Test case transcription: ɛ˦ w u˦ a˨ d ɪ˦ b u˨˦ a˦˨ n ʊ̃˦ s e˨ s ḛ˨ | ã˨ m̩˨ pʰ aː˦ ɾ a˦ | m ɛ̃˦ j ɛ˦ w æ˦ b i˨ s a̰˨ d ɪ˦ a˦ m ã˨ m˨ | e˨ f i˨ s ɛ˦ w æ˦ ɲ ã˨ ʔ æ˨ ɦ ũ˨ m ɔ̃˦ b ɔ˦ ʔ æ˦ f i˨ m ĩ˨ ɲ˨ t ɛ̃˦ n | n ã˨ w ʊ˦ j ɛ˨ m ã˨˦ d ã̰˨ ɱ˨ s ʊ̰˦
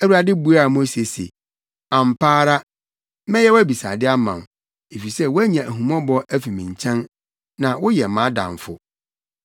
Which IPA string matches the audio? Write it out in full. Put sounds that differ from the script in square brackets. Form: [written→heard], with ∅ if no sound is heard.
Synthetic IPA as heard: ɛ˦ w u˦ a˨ d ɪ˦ b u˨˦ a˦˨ [n→m] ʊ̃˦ s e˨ s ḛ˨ | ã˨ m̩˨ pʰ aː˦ ɾ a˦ | m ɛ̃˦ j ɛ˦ w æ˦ b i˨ s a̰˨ d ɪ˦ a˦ m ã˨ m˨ | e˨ f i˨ s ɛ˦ w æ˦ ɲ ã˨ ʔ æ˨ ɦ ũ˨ m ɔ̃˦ b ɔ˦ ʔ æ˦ f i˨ m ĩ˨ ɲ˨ [t→t͡ɕʰ] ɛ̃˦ n | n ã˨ w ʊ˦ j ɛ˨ m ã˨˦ d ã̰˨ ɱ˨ [s→f] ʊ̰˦